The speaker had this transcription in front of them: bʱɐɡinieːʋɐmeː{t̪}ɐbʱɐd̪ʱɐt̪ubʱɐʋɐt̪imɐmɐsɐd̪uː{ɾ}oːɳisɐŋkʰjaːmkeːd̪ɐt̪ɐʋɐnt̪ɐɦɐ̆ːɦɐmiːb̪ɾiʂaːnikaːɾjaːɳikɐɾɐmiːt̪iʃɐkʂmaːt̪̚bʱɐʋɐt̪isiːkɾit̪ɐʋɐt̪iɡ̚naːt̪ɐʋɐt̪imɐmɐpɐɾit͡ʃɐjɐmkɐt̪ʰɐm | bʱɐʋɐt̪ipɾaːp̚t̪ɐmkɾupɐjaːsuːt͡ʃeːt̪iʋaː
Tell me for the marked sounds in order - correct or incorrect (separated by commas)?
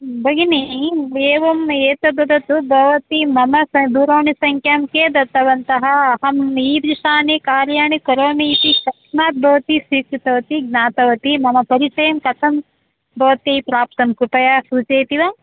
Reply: correct, correct